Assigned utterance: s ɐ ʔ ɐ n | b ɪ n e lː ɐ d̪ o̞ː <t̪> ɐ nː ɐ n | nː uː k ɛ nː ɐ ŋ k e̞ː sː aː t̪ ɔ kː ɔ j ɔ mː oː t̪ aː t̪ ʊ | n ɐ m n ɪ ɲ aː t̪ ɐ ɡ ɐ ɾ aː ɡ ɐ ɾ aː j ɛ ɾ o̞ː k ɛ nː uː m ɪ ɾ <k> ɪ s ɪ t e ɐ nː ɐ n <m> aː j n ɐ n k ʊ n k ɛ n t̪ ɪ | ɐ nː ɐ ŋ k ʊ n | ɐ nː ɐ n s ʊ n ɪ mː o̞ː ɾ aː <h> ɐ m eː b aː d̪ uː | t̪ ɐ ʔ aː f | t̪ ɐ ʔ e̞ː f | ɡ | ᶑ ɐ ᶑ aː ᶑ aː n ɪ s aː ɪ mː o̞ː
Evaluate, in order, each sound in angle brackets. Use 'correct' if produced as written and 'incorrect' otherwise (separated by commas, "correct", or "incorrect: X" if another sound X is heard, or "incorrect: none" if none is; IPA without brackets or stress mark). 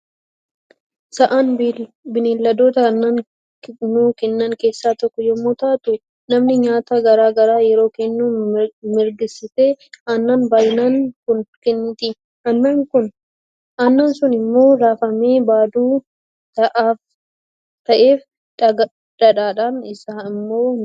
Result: correct, incorrect: ɡ, incorrect: b, incorrect: f